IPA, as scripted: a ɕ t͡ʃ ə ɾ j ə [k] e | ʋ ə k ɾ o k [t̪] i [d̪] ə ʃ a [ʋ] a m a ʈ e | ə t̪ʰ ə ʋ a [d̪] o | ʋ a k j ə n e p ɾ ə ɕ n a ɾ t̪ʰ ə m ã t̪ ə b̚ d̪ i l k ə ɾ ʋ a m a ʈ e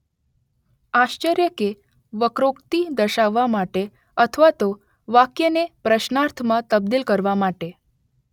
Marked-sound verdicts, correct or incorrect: correct, correct, correct, incorrect, incorrect

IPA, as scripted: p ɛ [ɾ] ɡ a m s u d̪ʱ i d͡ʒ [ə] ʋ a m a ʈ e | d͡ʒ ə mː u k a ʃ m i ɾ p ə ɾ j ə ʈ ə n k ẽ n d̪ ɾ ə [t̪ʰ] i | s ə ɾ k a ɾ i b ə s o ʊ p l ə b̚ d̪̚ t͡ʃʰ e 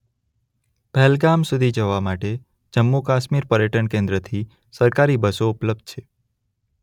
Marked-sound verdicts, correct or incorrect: incorrect, correct, correct

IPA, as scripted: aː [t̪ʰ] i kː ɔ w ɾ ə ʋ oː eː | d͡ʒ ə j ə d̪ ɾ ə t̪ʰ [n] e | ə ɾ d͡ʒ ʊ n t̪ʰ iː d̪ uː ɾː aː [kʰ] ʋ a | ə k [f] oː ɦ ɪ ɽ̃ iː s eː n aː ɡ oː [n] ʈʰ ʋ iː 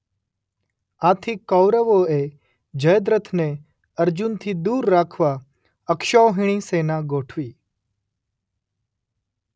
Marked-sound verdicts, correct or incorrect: correct, correct, correct, incorrect, incorrect

